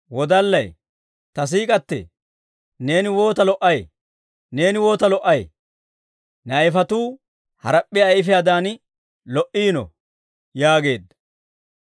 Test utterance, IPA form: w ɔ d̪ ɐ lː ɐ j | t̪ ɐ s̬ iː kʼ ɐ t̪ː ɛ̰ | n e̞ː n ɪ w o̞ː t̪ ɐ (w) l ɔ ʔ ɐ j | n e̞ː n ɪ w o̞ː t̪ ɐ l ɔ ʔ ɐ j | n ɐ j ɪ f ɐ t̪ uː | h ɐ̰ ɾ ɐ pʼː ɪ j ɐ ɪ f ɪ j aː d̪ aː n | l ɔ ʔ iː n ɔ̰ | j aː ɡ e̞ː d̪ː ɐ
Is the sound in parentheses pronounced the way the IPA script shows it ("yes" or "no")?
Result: no